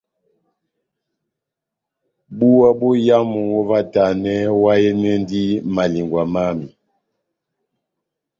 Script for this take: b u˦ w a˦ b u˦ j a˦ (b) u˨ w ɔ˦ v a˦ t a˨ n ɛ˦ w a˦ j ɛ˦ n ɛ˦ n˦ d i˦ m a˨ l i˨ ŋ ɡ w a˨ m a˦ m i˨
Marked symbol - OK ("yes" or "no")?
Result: no